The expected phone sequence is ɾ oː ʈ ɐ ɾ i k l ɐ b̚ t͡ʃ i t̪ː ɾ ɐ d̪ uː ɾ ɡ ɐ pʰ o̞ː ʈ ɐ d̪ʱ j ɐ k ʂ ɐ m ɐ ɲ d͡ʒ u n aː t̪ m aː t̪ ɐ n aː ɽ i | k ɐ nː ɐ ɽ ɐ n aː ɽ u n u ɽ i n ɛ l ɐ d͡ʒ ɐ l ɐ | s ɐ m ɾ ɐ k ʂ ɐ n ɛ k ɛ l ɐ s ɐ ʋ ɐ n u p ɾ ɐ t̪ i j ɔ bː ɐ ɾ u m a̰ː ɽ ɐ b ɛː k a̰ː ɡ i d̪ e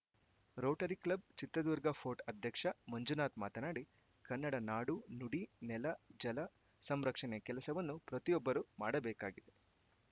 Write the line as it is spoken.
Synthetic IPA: ɾ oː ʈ ɐ ɾ i k l ɐ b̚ t͡ʃ i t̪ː ɾ ɐ d̪ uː ɾ ɡ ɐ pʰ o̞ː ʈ ɐ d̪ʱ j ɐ k ʂ ɐ m ɐ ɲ d͡ʒ u n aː t̪ m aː t̪ ɐ n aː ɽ i | k ɐ nː ɐ ɽ ɐ n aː ɽ u n u ɽ i n ɛ l ɐ d͡ʒ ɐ l ɐ | s ɐ m ɾ ɐ k ʂ ɐ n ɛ k ɛ l ɐ s ɐ ʋ ɐ nː u p ɾ ɐ t̪ i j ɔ bː ɐ ɾ u m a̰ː ɽ ɐ b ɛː k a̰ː ɡ i d̪ e